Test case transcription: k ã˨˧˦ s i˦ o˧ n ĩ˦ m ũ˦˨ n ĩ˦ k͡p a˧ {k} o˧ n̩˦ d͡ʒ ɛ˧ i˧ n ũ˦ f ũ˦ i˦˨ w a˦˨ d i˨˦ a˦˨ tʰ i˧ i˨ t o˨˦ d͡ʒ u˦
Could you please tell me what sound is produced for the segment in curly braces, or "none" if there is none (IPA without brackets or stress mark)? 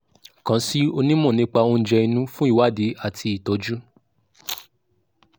none